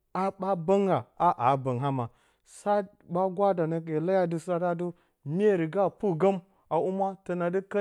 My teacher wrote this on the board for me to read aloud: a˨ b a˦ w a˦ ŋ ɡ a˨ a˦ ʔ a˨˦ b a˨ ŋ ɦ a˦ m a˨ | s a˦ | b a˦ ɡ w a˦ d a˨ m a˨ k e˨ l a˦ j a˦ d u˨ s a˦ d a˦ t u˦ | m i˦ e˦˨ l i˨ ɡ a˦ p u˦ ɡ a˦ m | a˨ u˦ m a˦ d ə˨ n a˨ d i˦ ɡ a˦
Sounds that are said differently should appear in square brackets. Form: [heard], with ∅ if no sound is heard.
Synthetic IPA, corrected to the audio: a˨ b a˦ [b] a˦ ŋ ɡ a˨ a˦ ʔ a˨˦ b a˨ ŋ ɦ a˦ m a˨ | s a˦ | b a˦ ɡ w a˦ d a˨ [n] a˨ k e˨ l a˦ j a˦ d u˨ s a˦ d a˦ [d] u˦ | m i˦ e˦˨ [ɾ] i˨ ɡ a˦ p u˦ ɡ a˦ m | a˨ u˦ m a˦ [t] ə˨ n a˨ d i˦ [k] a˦

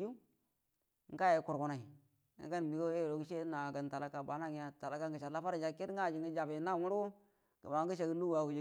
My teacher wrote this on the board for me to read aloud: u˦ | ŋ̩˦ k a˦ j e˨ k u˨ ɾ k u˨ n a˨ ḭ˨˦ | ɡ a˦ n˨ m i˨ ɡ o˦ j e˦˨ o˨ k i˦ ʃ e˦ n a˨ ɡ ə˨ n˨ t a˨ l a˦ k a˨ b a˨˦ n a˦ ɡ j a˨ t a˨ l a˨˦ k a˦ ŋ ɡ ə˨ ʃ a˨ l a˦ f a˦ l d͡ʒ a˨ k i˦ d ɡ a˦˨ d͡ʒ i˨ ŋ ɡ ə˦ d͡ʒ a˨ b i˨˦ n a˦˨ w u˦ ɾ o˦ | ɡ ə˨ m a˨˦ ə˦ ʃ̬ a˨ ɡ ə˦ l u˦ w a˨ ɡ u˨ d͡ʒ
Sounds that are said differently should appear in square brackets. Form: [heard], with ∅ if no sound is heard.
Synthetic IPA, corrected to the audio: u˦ | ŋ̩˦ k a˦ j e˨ k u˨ ɾ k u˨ n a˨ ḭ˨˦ | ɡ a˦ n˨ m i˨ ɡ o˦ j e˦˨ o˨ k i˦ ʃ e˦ n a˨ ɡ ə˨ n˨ t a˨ l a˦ k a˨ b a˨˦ n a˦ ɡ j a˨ t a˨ l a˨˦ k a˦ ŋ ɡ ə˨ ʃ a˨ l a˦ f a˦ [ɾ] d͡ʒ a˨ k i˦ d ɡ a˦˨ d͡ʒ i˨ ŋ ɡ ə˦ d͡ʒ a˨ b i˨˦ n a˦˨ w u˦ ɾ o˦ | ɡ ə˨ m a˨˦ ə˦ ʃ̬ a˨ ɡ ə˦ l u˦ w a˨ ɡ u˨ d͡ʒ

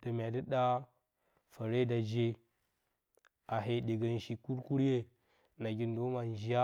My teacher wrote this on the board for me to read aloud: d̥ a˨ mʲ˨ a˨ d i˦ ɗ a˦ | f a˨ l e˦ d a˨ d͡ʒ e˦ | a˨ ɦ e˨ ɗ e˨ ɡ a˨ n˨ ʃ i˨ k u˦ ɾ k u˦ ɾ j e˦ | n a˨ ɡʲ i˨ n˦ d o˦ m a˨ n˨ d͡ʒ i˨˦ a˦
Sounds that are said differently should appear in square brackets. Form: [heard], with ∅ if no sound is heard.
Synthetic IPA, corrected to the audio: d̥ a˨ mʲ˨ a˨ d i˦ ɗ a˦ | f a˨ [ɾ] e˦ d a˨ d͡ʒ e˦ | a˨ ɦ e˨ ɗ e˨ ɡ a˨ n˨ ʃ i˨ k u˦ ɾ k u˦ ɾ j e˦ | n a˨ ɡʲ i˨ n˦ d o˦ m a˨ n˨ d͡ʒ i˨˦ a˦

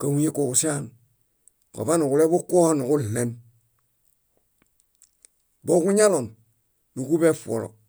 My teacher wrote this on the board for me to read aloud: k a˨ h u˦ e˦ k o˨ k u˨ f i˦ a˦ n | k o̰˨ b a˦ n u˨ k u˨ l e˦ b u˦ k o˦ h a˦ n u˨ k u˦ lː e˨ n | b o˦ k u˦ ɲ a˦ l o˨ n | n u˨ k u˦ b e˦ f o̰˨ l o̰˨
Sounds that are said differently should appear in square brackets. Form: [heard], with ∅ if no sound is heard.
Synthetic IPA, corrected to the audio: k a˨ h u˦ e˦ k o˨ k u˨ [s] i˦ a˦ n | k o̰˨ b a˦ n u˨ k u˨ l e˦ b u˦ k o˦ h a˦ n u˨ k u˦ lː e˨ n | b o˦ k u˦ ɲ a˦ l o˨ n | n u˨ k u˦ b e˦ f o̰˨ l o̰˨

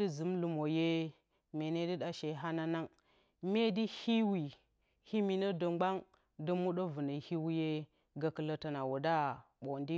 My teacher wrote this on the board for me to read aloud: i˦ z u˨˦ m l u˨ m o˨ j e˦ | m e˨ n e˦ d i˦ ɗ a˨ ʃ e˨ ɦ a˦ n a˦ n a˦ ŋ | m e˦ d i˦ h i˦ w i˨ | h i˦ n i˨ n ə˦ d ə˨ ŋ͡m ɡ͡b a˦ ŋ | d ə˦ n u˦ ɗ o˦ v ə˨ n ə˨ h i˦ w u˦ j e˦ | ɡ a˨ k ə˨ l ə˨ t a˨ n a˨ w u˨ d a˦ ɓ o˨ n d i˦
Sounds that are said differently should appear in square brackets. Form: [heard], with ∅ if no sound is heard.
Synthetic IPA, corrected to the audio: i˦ z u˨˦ m l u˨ m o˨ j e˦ | m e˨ n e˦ d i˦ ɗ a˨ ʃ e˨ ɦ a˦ n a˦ n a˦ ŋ | m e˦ d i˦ h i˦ w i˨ | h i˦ [m] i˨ n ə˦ d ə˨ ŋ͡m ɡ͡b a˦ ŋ | d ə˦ [m] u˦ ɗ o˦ v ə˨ n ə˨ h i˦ w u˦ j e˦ | ɡ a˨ k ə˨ l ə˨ t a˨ n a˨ w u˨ d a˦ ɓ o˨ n d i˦

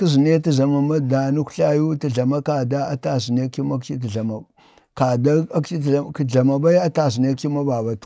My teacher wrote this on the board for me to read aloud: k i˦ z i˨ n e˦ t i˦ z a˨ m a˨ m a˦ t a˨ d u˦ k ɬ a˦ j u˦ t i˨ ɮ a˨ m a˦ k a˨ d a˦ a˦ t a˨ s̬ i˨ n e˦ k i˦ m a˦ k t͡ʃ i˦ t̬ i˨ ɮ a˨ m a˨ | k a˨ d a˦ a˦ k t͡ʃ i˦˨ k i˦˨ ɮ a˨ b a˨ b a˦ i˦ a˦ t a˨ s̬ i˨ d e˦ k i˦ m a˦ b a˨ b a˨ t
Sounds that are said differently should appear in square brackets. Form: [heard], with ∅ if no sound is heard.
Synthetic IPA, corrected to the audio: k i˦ z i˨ n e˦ t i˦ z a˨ m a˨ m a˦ [d] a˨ [n] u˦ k ɬ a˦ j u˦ t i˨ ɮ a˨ m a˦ k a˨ d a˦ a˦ t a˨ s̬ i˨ n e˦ k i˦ m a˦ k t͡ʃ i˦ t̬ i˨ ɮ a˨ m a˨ | k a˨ d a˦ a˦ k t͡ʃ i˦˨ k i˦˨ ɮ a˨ [m] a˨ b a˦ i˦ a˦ t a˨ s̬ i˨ [n] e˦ k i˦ m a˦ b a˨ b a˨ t

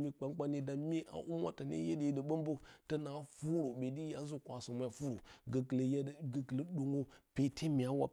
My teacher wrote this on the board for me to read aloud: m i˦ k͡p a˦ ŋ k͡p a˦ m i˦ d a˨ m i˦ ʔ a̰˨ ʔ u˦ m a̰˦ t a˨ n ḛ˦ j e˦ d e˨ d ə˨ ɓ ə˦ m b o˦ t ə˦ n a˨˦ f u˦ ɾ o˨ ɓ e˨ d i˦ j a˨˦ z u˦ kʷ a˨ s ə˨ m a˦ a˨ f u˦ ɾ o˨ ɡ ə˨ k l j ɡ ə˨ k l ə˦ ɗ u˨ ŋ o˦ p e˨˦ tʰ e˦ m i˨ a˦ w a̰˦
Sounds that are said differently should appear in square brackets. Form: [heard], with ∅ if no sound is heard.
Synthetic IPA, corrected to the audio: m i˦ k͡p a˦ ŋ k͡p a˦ [n] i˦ d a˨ m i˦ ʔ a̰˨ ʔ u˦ m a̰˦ t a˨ n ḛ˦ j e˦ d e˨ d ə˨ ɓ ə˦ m b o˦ t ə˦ n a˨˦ f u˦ ɾ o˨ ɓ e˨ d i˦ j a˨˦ z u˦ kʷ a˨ s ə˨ m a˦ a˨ f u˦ ɾ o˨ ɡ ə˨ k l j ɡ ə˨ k l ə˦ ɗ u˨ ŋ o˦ p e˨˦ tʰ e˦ m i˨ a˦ w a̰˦

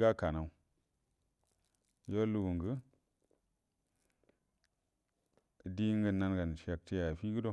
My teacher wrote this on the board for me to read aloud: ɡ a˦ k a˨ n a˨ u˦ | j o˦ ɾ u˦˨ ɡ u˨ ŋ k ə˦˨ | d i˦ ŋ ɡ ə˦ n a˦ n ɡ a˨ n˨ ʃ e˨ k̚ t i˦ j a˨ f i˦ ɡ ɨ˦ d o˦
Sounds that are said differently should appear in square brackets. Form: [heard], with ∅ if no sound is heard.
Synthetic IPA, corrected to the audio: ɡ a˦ k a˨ n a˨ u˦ | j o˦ [l] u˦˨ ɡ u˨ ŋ [ɡ] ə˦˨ | d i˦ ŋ ɡ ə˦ n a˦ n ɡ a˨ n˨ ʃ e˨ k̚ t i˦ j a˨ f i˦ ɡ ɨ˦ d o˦

